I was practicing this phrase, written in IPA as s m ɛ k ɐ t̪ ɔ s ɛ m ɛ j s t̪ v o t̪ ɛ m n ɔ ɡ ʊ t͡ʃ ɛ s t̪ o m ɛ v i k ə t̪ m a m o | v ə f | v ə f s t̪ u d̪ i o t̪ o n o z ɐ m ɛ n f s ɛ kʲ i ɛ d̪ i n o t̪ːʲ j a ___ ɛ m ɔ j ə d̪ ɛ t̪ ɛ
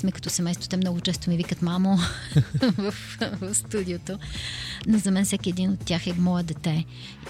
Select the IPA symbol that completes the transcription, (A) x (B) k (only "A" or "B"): A